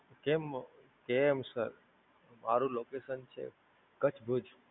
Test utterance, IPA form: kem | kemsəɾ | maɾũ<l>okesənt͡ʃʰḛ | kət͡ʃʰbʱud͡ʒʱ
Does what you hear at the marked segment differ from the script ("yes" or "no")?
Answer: no